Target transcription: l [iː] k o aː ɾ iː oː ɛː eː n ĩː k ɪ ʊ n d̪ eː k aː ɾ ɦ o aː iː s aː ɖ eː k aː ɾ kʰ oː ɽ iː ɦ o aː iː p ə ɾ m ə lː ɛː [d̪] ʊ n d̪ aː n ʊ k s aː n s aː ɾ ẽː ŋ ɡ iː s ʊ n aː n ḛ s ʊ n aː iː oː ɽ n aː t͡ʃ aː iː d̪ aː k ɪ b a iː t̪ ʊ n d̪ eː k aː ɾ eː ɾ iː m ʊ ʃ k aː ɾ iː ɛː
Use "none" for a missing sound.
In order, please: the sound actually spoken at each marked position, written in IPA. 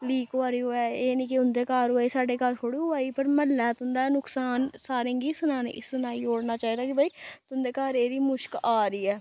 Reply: iː, t̪

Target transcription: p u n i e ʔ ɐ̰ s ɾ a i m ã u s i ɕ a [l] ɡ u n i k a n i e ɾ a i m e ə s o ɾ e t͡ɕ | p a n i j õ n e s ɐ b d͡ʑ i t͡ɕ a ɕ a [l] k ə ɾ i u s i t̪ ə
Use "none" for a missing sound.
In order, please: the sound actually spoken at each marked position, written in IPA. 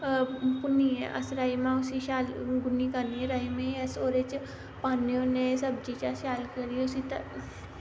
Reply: l, l

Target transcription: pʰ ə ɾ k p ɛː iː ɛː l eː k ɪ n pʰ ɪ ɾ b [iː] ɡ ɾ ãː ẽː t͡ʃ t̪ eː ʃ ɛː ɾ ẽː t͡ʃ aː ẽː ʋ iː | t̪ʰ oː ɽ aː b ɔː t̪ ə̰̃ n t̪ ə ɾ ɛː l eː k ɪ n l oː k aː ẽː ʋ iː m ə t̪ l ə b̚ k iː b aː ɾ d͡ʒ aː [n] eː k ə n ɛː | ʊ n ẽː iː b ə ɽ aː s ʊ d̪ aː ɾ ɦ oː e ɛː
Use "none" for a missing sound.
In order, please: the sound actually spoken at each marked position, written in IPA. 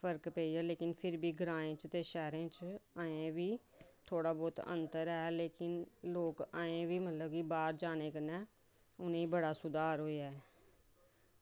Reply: iː, n

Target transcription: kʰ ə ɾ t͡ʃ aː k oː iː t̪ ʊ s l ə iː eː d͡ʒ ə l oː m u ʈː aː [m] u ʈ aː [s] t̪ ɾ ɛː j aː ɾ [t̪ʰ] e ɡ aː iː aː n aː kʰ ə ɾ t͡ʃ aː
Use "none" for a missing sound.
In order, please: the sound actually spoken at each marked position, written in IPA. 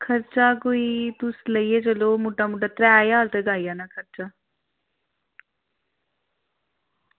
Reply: m, none, t̪

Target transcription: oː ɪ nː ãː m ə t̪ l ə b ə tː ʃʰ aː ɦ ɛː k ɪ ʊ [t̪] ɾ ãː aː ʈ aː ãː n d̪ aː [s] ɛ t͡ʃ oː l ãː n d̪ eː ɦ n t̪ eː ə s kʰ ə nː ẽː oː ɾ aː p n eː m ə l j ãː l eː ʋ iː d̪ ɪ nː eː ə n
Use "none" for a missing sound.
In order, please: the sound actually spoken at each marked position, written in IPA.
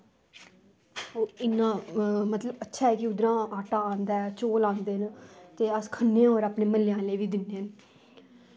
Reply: d̪, none

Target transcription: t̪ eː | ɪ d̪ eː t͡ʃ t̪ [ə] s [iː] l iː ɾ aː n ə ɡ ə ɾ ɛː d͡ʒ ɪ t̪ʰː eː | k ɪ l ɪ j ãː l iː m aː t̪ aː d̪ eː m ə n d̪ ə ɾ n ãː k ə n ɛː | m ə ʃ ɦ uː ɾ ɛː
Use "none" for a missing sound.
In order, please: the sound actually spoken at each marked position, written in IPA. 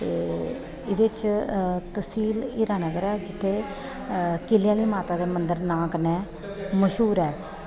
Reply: ə, iː

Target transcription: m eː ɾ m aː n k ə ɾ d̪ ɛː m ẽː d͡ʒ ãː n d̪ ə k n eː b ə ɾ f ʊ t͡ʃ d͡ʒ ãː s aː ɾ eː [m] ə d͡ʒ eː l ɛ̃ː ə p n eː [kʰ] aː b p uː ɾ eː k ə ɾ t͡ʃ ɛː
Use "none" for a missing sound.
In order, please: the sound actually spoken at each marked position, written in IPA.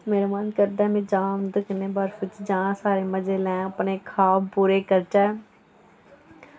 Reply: m, kʰ

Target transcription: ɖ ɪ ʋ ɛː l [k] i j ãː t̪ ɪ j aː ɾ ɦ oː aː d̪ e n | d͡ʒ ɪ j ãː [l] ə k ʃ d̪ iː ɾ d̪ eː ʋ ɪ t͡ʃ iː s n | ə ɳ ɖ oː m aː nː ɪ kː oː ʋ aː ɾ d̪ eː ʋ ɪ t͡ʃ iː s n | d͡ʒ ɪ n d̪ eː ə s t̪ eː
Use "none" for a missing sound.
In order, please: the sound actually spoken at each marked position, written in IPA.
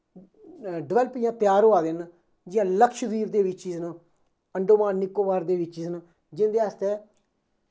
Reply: p, l

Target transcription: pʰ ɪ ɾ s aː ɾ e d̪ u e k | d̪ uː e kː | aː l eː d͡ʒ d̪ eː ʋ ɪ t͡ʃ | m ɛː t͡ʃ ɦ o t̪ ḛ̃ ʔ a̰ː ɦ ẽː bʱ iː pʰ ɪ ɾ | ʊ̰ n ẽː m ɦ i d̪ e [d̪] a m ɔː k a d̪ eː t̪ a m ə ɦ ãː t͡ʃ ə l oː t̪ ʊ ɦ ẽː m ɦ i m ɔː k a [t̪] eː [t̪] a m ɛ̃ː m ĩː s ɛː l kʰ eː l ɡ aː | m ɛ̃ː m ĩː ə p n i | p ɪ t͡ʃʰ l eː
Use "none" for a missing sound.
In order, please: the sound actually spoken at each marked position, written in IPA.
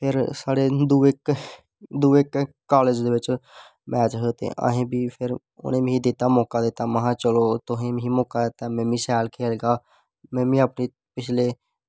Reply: t̪, d̪, t̪

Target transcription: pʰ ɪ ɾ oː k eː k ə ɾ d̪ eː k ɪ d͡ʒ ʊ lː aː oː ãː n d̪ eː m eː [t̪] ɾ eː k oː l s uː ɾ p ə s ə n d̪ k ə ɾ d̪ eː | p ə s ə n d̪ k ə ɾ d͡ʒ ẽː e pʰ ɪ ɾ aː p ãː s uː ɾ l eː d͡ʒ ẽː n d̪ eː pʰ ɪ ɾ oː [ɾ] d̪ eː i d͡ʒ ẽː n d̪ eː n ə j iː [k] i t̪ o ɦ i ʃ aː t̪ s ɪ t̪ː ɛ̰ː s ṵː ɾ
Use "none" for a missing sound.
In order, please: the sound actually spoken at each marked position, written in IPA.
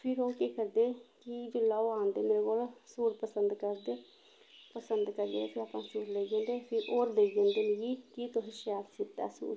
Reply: none, ɾ, k

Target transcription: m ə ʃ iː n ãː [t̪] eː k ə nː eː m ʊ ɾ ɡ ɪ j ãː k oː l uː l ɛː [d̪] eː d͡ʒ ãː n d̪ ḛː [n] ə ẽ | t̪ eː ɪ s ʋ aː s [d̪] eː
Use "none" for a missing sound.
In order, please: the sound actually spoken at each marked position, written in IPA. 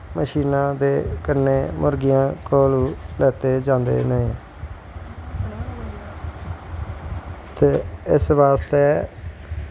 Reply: d̪, t̪, n, t̪

